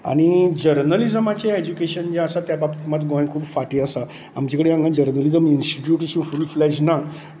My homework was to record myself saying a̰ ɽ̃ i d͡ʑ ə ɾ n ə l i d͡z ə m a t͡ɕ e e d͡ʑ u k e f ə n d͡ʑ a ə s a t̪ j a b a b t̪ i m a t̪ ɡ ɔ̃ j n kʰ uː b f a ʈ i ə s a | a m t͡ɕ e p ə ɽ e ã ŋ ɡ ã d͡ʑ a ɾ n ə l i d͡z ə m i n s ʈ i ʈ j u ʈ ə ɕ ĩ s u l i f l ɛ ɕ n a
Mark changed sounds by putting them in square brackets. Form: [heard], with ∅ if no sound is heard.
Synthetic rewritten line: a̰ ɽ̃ i d͡ʑ ə ɾ n ə l i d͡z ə m a t͡ɕ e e d͡ʑ u k e [ɕ] ə n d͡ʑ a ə s a t̪ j a b a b t̪ i m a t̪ ɡ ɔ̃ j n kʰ uː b f a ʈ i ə s a | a m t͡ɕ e [k] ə ɽ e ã ŋ ɡ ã d͡ʑ [ə] ɾ n ə l i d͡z ə m i n s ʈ i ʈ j u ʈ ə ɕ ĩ [f] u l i f l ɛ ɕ n a